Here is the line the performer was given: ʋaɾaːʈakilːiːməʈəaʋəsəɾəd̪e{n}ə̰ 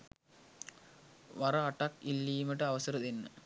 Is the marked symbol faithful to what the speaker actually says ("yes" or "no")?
no